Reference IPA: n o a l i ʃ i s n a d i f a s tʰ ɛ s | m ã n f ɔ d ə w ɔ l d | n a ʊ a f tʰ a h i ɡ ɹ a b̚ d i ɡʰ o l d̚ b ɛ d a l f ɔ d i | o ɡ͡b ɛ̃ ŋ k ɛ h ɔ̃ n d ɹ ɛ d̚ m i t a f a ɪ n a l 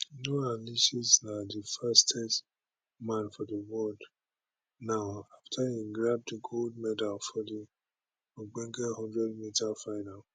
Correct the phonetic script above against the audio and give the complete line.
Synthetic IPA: n o a l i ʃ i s n a d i f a s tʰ ɛ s | m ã n f ɔ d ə w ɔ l d | n a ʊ a f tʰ a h i ɡ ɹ a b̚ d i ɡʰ o l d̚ m ɛ d a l f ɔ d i | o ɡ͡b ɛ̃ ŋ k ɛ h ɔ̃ n d ɹ ɛ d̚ m i t a f a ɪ n a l